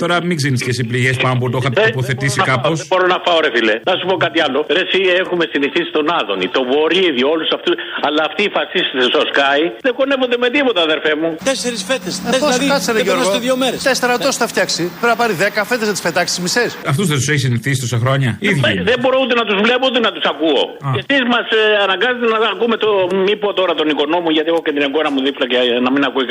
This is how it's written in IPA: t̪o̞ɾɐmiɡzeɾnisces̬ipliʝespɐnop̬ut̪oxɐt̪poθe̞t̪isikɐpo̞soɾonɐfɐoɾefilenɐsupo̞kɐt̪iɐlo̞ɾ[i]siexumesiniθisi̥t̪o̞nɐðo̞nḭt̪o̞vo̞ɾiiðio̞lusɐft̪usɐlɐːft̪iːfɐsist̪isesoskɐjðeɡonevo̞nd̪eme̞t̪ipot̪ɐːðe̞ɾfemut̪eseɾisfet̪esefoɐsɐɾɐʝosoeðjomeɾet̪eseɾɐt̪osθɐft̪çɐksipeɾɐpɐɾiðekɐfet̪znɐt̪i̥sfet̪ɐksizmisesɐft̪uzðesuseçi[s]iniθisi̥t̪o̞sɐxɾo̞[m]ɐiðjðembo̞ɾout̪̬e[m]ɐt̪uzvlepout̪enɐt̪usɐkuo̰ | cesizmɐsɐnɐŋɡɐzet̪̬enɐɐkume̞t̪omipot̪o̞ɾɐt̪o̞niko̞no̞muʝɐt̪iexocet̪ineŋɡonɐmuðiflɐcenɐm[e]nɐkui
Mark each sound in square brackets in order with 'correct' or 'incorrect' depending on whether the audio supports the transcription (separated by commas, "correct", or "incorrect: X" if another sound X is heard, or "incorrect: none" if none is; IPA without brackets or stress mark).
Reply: incorrect: e, correct, incorrect: ɲ, incorrect: n, incorrect: i